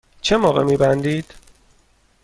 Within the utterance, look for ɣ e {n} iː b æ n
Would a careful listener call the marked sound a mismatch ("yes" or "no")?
yes